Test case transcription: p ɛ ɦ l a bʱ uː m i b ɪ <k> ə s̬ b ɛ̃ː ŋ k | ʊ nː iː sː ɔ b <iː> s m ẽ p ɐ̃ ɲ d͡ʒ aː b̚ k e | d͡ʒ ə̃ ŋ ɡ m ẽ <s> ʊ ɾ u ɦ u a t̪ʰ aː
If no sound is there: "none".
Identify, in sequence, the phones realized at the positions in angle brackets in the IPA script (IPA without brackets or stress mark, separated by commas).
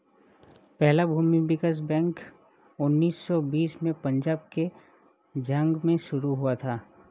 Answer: k, iː, ʃ